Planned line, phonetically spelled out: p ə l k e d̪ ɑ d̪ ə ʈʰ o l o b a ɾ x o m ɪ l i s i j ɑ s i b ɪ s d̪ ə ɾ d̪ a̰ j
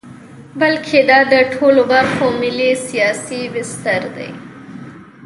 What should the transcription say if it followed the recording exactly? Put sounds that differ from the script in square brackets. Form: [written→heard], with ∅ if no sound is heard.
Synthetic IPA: [p→b] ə l [k→kʰ] e d̪ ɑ d̪ ə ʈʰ o l o b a ɾ x o m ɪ l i s i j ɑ s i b ɪ s [d̪→t̪] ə ɾ d̪ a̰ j